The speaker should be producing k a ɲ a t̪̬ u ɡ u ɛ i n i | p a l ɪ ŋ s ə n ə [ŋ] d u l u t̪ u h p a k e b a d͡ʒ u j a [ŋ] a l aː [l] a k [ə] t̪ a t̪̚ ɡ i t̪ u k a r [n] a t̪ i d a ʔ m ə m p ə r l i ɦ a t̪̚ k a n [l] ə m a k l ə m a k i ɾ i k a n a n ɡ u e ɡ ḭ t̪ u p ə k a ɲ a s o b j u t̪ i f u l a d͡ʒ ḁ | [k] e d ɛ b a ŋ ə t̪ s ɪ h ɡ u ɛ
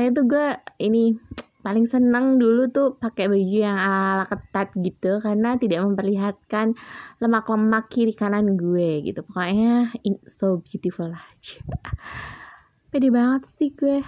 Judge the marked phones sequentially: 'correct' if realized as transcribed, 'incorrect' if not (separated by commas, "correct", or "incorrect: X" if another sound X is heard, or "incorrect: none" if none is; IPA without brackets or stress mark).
correct, correct, correct, correct, correct, correct, incorrect: p